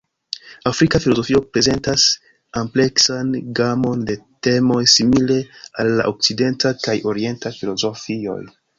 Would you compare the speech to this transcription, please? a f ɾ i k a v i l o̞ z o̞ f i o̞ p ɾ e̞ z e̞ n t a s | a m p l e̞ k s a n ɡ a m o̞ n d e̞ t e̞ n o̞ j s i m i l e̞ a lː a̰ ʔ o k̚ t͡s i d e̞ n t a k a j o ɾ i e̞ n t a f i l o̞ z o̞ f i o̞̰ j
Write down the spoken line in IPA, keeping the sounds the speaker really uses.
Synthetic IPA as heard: a f ɾ i k a f i l o̞ z o̞ f i o̞ p ɾ e̞ z e̞ n t a s | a m p l e̞ k s a n ɡ a m o̞ n d e̞ t e̞ m o̞ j s i m i l e̞ a lː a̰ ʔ o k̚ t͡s i d e̞ n t a k a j o ɾ i e̞ n t a f i l o̞ z o̞ f i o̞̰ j

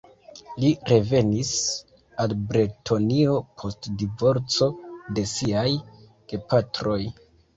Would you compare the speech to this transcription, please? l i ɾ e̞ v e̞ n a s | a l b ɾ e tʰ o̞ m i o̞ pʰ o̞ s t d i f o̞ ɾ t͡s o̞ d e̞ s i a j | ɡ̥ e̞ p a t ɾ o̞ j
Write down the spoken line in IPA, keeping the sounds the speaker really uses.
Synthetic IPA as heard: l i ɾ e̞ v e̞ n i s | a l b ɾ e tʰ o̞ n i o̞ pʰ o̞ s t d i v o̞ ɾ t͡s o̞ d e̞ s i a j | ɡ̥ e̞ p a t ɾ o̞ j

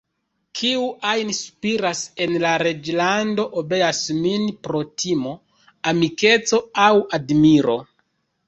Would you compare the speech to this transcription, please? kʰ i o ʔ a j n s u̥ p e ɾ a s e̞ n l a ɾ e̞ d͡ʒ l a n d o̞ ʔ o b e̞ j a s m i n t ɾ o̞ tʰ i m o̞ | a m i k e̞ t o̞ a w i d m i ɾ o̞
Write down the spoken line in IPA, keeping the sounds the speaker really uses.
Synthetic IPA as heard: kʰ i u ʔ a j n s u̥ p i ɾ a s e̞ n l a ɾ e̞ d͡ʒ l a n d o̞ ʔ o b e̞ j a s m i n p ɾ o̞ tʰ i m o̞ | a m i k e̞ t͡s o̞ a w a d m i ɾ o̞

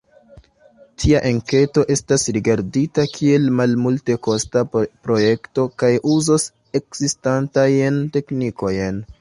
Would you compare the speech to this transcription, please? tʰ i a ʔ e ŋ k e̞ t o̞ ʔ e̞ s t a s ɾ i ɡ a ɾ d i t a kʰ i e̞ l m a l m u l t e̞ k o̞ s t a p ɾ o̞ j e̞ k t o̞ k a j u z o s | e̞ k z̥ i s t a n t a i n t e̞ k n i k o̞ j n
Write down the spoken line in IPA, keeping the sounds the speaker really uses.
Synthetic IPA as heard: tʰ i a ʔ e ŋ k e̞ t o̞ ʔ e̞ s t a s ɾ i ɡ a ɾ d i t a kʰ i e̞ l m a l m u l t e̞ k o̞ s t a p ɾ o̞ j e̞ k t o̞ k a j u z o s | e̞ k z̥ i s t a n t a j n t e̞ k n i k o̞ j n

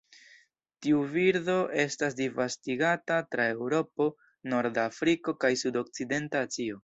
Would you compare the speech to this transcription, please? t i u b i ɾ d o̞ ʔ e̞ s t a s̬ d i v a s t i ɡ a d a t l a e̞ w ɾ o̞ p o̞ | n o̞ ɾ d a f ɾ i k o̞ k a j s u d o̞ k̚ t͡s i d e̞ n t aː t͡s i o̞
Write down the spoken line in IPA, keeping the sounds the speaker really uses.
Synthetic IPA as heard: t i u v i ɾ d o̞ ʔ e̞ s t a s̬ d i v a s t i ɡ a t a t ɾ a e̞ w ɾ o̞ p o̞ | n o̞ ɾ d a f ɾ i k o̞ k a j s u d o̞ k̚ t͡s i d e̞ n t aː t͡s i o̞

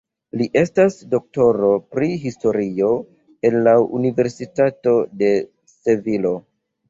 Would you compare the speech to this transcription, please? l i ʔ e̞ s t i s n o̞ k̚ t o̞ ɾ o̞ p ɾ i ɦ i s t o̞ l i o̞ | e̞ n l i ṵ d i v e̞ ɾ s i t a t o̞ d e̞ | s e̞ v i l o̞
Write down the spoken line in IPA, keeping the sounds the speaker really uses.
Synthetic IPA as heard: l i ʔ e̞ s t a s d o̞ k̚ t o̞ ɾ o̞ p ɾ i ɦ i s t o̞ ɾ i o̞ | e̞ n l a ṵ n i v e̞ ɾ s i t a t o̞ d e̞ | s e̞ v i l o̞

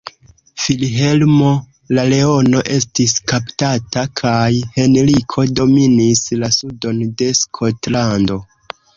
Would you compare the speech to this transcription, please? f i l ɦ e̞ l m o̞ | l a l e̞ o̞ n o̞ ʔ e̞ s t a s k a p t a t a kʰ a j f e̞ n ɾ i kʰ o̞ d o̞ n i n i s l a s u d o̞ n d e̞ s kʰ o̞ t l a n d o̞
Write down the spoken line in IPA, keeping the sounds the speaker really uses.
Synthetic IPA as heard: f i l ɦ e̞ l m o̞ | l a l e̞ o̞ n o̞ ʔ e̞ s t i s k a p t a t a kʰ a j h e̞ n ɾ i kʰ o̞ d o̞ m i n i s l a s u d o̞ n d e̞ s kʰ o̞ t l a n d o̞

